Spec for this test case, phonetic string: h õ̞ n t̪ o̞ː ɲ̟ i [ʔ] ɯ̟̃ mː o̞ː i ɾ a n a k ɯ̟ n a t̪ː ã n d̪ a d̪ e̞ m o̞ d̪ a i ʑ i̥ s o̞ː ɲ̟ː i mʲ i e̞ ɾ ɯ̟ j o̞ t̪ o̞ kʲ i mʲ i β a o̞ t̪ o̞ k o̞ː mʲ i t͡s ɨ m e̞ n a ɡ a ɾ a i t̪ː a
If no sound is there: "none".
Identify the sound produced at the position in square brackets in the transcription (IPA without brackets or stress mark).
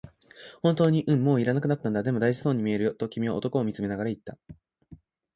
ʔ